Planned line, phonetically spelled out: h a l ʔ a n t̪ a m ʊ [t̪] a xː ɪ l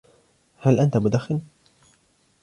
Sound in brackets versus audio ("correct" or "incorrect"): incorrect